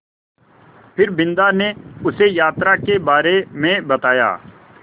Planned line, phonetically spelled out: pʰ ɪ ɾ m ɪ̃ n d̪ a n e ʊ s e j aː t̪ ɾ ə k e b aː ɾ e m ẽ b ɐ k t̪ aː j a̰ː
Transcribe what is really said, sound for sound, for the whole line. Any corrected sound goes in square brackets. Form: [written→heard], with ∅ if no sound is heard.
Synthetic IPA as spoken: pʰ ɪ ɾ [m→b] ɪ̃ n d̪ a n e ʊ s e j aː t̪ ɾ [ə→a] k e b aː ɾ e m ẽ b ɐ [k→∅] t̪ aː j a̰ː